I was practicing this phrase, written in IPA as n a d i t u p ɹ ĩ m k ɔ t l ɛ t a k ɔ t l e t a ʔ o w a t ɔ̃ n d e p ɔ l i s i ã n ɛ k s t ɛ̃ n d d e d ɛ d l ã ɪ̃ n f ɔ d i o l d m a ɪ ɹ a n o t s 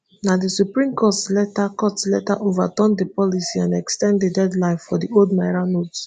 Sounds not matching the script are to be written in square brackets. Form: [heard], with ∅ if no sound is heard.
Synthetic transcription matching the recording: n a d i [s] u p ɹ ĩ m k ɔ t l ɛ t a k ɔ t l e t a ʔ o [v] a t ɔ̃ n d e p ɔ l i s i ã n ɛ k s t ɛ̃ n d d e d ɛ d l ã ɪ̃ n f ɔ d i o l d m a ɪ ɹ a n o t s